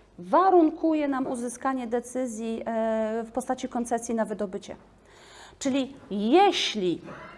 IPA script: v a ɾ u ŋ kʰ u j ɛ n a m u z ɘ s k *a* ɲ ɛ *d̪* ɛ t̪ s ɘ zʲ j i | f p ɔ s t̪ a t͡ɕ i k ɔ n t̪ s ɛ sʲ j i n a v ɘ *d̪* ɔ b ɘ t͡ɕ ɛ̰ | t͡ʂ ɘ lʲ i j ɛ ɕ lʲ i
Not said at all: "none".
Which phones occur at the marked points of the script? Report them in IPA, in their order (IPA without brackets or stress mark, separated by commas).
a, d̪, d̪